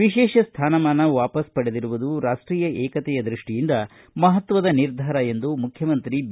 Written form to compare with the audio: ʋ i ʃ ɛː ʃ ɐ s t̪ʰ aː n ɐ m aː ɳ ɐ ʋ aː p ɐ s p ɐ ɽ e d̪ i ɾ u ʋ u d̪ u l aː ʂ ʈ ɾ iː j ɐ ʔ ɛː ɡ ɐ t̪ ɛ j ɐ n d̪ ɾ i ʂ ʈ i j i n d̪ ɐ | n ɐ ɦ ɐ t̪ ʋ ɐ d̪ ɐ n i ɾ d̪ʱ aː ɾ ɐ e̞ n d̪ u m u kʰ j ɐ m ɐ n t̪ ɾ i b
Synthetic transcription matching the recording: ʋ i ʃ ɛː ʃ ɐ s t̪ʰ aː n ɐ m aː n ɐ ʋ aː p ɐ s p ɐ ɽ e d̪ i ɾ u ʋ u d̪ u ɾ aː ʂ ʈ ɾ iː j ɐ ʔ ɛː k ɐ t̪ ɛ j ɐ d̪ ɾ i ʂ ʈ i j i n d̪ ɐ | m ɐ ɦ ɐ t̪ ʋ ɐ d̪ ɐ n i ɾ d̪ʱ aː ɾ ɐ e̞ n d̪ u m u kʰ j ɐ m ɐ n t̪ ɾ i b